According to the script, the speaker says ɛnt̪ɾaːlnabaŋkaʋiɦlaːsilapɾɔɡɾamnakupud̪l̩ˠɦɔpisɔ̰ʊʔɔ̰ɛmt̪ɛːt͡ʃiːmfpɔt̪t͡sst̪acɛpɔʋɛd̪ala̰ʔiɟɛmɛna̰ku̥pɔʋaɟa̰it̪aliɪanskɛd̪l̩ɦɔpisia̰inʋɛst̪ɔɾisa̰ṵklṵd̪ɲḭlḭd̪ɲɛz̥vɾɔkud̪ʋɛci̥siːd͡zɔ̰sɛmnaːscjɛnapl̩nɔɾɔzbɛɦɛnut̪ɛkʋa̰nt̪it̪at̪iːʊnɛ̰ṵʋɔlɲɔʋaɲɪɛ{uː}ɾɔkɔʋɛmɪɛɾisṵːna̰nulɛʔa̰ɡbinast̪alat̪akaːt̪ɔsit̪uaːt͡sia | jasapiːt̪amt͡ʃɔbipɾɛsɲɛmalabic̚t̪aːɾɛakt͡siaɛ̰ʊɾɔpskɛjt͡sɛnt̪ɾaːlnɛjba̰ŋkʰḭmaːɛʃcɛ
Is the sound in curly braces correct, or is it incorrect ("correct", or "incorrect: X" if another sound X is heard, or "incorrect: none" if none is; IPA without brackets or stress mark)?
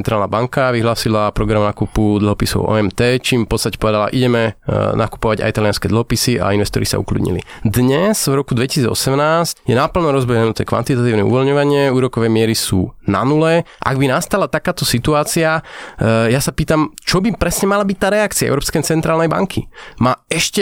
correct